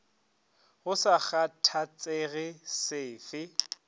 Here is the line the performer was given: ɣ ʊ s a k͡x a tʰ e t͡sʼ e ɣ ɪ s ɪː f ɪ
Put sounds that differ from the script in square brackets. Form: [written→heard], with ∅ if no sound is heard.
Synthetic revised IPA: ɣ ʊ s a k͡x a tʰ [e→a] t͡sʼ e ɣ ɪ s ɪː f ɪ